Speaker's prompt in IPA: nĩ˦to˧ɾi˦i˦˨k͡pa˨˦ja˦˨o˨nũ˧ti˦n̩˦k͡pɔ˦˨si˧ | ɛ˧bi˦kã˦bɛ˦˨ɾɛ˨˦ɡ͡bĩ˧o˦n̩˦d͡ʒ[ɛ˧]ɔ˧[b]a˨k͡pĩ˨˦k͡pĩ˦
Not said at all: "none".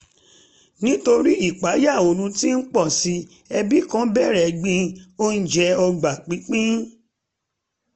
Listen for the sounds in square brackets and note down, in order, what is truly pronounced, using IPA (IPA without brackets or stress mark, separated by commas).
ɛ˧, ɡ͡b